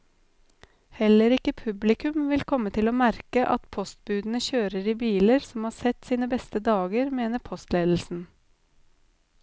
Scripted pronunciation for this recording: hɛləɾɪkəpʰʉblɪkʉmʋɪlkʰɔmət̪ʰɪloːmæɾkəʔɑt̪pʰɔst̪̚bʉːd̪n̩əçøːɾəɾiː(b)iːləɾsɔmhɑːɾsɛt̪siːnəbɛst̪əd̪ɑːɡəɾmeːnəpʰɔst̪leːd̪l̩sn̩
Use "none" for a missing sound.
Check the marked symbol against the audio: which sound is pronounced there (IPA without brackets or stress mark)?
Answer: b